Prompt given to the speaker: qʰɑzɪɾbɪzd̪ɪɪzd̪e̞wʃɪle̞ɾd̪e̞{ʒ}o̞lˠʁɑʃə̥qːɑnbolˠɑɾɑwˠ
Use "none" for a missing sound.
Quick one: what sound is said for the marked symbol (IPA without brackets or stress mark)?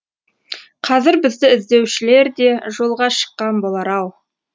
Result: ʒ